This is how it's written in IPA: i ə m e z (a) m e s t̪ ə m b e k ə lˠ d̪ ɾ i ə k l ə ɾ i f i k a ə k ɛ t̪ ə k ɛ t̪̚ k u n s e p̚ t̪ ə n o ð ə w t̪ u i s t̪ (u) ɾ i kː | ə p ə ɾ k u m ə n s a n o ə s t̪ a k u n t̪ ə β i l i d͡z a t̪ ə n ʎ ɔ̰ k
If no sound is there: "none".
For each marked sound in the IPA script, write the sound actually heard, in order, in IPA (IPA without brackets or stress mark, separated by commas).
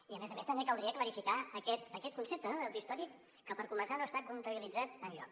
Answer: ə, ɔ